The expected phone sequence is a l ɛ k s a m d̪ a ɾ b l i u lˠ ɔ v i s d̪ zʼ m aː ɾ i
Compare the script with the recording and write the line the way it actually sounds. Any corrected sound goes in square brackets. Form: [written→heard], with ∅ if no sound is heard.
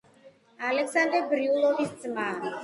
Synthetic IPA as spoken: a l ɛ k s a [m→n] d̪ [a→ɛ] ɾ b [l→ɾ] i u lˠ ɔ v i s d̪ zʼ m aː ɾ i